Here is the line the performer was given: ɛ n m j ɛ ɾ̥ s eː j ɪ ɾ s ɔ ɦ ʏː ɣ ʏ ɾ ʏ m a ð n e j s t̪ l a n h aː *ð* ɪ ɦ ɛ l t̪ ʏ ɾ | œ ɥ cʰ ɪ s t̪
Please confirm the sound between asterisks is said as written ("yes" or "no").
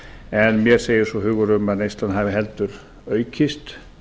no